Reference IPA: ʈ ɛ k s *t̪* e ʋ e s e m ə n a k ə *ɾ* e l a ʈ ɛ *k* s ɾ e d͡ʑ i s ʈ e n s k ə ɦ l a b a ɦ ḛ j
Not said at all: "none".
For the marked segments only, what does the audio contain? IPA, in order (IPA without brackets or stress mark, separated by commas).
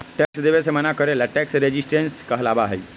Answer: d̪, ɾ, k